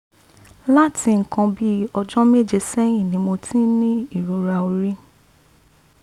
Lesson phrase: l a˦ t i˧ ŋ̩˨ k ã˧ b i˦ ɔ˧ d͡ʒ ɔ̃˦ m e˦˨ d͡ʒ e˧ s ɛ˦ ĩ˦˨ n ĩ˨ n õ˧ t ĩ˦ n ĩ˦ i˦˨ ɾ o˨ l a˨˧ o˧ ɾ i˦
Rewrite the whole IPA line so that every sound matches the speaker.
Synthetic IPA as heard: l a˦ t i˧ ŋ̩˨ k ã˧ b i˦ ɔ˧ d͡ʒ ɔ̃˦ m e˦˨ d͡ʒ e˧ s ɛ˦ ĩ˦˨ n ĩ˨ m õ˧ t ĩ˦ n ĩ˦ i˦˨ ɾ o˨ ɾ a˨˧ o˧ ɾ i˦